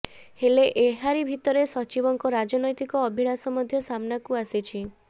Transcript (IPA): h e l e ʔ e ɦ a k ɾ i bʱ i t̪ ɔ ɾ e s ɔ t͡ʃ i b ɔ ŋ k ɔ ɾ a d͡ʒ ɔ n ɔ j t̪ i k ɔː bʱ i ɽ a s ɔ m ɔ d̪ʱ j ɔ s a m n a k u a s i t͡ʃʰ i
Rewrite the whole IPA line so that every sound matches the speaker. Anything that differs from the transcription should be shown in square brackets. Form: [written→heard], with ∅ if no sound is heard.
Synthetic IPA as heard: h e l e ʔ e ɦ a [k→∅] ɾ i bʱ i t̪ ɔ ɾ e s ɔ t͡ʃ i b ɔ ŋ k ɔ ɾ a d͡ʒ ɔ n ɔ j t̪ i k ɔː bʱ i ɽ a s ɔ m ɔ d̪ʱ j ɔ s a m n a k u a s i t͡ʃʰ i